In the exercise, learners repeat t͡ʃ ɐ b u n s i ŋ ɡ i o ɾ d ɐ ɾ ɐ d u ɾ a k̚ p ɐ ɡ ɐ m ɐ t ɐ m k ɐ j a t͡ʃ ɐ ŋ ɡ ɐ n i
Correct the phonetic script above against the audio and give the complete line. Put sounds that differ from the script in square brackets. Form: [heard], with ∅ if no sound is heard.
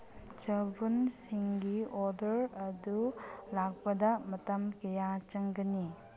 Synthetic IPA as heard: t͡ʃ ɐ b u n s i ŋ ɡ i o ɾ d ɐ ɾ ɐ d u [l] a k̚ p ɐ [d] ɐ m ɐ t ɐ m k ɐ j a t͡ʃ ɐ ŋ ɡ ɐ n i